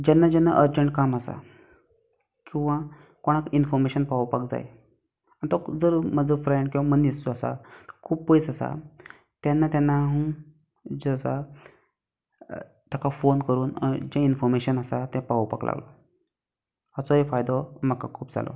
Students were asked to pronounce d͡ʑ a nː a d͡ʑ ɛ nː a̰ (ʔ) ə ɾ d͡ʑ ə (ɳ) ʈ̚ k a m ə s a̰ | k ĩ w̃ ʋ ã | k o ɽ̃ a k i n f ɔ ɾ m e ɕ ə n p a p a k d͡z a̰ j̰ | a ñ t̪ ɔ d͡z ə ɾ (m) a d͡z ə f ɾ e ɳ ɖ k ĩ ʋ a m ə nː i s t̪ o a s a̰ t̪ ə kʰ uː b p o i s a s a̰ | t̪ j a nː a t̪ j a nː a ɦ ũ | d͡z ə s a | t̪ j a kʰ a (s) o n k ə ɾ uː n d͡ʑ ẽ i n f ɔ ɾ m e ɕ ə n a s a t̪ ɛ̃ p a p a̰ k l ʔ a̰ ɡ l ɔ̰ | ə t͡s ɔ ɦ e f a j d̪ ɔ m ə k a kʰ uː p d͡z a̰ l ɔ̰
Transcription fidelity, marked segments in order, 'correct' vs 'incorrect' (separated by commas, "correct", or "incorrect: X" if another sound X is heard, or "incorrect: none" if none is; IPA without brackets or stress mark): correct, correct, correct, incorrect: f